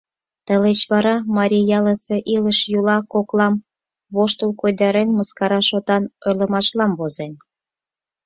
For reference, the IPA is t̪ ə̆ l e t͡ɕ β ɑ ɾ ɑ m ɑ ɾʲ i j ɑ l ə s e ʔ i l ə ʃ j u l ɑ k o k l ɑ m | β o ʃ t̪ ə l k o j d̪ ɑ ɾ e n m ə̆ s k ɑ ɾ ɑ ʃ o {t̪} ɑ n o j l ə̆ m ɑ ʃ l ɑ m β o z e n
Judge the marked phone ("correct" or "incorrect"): correct